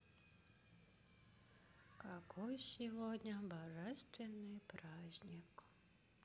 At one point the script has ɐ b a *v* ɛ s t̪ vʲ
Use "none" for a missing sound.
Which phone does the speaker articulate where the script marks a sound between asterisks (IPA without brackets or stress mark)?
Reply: ʐ